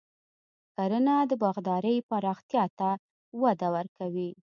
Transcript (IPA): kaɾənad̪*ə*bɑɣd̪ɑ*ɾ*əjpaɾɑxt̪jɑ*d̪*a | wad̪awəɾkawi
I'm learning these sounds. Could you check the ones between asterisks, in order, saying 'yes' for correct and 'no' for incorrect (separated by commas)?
yes, yes, no